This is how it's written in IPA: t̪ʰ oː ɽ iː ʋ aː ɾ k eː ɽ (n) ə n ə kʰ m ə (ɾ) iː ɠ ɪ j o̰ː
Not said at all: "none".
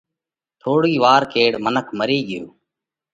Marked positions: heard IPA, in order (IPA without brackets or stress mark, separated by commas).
m, ɾ